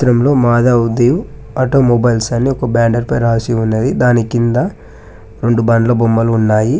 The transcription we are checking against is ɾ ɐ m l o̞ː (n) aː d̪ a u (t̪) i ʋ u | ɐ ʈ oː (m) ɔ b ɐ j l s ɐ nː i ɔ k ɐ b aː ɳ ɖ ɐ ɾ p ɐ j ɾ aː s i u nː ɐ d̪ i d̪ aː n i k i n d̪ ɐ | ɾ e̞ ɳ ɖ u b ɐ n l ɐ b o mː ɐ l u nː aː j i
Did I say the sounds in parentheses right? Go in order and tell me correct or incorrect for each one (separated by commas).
incorrect, incorrect, correct